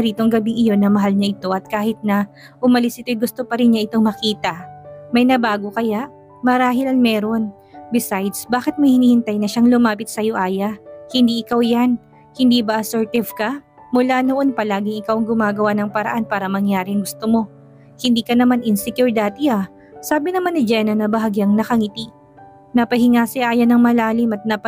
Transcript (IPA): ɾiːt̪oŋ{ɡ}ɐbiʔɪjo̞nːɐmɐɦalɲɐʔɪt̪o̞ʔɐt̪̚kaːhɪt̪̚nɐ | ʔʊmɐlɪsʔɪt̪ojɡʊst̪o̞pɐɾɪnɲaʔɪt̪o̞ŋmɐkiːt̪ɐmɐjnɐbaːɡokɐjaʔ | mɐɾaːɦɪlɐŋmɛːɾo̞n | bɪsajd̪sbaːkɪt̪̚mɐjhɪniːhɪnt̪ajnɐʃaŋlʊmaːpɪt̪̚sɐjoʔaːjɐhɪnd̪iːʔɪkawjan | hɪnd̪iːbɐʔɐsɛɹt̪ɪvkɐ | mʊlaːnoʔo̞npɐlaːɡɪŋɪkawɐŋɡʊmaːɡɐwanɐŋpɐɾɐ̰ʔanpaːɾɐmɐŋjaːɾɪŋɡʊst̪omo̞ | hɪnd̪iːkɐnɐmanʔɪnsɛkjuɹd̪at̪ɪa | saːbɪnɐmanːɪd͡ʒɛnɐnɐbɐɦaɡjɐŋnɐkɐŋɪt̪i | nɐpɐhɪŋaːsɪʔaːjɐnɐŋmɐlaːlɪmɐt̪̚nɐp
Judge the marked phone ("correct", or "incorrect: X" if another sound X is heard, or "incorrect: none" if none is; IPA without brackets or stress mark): correct